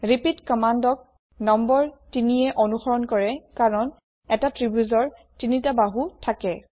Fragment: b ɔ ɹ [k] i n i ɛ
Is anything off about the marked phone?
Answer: yes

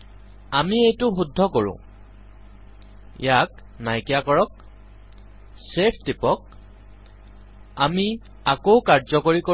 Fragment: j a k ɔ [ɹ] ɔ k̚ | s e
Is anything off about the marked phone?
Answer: no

